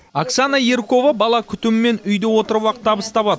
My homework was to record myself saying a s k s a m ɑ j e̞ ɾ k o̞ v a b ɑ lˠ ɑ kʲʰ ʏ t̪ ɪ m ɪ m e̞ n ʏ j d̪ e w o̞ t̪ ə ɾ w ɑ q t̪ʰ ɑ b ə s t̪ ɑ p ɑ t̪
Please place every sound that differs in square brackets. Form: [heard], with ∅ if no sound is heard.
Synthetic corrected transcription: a [∅] k s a [n] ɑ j e̞ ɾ k o̞ v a b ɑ lˠ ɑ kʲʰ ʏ t̪ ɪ m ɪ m e̞ n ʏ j d̪ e w o̞ t̪ ə ɾ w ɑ q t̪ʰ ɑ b ə s t̪ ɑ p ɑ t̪